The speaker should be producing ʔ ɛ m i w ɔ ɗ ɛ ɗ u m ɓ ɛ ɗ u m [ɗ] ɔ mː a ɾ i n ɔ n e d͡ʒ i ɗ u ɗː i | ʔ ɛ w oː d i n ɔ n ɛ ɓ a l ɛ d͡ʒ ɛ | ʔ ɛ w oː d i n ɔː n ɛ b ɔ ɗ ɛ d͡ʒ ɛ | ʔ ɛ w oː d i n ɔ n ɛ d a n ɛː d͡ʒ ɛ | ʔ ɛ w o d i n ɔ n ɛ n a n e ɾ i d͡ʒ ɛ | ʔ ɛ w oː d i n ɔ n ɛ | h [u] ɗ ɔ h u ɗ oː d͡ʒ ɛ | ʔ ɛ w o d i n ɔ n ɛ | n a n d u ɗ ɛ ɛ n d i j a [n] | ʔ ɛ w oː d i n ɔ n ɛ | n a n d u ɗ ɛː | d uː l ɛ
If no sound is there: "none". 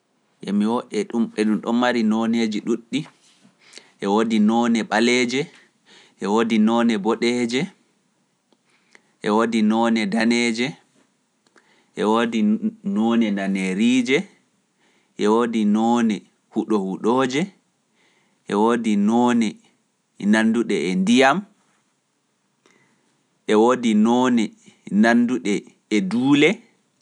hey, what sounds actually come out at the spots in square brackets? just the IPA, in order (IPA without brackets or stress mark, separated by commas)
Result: ɗ, u, m